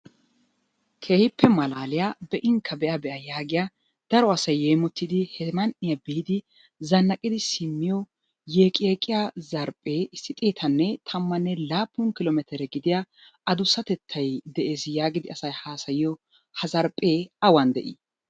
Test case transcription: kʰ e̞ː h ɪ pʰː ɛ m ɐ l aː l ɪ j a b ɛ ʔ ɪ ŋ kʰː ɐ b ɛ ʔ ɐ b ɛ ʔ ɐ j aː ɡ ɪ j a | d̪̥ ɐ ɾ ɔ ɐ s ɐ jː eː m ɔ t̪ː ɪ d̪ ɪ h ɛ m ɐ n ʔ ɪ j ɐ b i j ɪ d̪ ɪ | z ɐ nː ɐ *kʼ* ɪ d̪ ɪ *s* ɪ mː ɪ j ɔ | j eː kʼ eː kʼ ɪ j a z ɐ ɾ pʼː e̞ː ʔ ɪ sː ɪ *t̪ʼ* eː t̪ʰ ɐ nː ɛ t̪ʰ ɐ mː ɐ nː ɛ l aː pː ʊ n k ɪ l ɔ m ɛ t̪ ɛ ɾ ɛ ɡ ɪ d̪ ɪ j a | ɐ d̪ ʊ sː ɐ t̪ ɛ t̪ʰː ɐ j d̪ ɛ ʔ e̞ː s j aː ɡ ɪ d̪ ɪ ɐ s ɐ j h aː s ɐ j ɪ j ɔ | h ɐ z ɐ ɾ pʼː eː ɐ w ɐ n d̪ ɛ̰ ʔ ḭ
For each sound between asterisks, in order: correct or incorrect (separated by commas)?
correct, correct, correct